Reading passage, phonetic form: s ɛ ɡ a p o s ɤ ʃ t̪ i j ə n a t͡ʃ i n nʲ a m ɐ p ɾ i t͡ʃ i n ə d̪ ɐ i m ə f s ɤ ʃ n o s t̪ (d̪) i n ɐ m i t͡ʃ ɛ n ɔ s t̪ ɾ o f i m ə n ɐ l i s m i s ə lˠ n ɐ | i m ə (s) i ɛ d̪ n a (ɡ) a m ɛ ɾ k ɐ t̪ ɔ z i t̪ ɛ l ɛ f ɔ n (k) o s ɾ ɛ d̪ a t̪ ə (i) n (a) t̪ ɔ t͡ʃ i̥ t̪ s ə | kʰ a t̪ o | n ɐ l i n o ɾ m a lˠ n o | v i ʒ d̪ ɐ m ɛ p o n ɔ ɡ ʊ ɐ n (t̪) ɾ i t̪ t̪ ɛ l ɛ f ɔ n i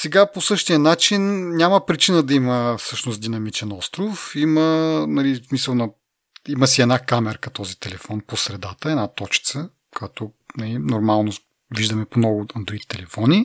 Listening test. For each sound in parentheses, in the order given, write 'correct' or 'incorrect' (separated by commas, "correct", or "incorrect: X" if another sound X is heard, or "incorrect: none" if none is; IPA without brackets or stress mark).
correct, correct, incorrect: k, incorrect: p, incorrect: ɛ, correct, incorrect: d̪